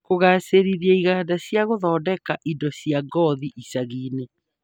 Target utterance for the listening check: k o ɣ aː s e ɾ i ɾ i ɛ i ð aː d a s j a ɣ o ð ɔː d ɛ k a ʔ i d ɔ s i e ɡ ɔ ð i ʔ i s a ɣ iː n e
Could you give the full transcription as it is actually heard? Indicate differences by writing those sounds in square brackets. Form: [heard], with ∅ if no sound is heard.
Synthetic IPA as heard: k o ɣ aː s e ɾ i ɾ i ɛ i [ɣ] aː d a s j a ɣ o ð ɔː d ɛ k a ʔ i d ɔ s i [a] ɡ ɔ ð i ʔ i s a ɣ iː n e